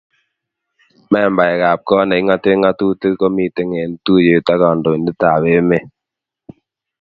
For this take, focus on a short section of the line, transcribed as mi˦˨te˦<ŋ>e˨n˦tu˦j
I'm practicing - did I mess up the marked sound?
no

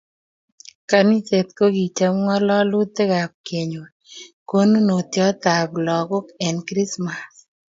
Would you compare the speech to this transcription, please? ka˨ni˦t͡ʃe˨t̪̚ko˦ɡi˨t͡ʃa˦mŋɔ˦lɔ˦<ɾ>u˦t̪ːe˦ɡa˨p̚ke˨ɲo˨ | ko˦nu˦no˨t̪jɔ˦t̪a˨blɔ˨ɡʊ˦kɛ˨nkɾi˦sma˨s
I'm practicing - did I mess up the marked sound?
yes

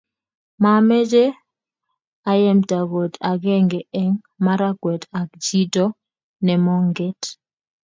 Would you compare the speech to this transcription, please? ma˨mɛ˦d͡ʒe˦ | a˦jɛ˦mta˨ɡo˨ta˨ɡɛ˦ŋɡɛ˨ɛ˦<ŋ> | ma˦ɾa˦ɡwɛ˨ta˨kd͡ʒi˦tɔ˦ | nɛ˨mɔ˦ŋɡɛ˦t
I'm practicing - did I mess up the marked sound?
no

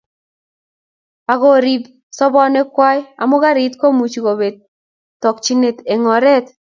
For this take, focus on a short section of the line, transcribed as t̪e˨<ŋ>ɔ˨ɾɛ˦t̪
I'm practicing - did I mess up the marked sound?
no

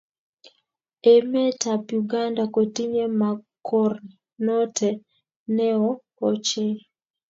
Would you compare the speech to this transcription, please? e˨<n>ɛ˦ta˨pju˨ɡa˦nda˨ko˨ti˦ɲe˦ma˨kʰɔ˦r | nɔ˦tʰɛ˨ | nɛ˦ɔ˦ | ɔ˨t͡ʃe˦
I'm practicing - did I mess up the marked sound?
yes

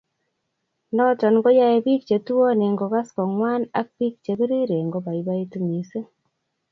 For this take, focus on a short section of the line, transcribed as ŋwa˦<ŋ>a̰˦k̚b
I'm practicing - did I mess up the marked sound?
yes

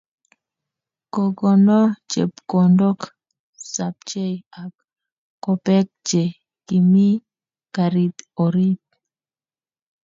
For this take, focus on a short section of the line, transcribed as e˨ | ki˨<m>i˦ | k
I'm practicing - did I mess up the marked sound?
no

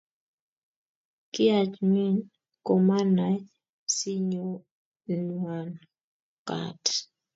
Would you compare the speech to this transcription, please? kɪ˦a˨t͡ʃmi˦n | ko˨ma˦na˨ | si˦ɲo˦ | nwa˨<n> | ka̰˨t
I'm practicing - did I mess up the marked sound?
no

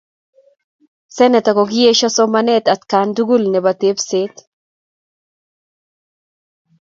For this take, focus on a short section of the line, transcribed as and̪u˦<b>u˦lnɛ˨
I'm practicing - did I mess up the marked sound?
yes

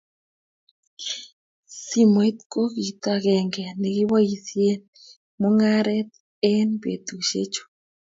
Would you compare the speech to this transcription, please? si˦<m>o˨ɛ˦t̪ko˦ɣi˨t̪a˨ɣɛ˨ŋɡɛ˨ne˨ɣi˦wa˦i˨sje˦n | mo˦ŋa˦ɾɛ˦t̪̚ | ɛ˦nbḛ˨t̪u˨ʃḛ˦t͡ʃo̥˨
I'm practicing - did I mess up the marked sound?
no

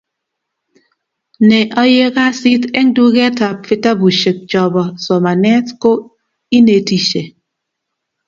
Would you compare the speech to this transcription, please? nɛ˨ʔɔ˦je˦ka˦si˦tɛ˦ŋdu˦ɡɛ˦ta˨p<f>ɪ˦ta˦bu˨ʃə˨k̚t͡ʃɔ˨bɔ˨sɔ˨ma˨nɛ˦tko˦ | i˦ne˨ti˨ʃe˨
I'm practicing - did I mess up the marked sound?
no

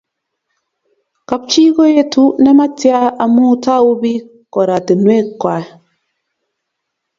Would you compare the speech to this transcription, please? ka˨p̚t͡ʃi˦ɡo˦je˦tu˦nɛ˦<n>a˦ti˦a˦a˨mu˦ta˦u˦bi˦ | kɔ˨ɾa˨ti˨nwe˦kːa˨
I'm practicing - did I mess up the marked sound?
yes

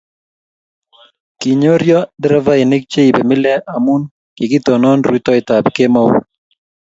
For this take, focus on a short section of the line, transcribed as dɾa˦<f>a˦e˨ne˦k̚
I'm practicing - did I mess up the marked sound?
yes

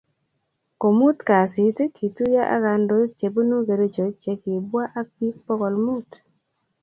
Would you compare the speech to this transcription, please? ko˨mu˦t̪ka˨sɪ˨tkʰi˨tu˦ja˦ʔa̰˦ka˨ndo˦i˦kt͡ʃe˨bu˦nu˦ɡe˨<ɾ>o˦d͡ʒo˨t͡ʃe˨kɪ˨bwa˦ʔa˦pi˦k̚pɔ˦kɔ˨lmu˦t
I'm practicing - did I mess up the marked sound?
no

